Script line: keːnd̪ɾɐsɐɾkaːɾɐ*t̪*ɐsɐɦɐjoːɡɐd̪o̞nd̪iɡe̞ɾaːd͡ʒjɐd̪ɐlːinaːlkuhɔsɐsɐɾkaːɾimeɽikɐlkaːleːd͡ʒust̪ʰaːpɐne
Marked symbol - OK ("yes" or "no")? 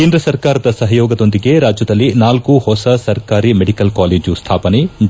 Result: no